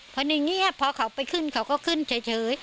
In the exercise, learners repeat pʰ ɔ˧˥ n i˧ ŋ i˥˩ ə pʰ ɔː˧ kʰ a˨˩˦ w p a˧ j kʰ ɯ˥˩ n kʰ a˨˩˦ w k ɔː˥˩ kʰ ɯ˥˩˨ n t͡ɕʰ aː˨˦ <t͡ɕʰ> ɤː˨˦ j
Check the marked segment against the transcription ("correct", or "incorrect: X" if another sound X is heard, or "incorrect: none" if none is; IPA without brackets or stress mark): correct